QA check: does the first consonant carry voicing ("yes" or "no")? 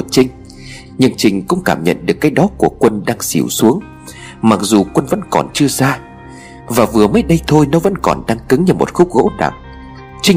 no